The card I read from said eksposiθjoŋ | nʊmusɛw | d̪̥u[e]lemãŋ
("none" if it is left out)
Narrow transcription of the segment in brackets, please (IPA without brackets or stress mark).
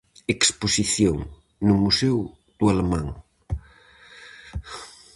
a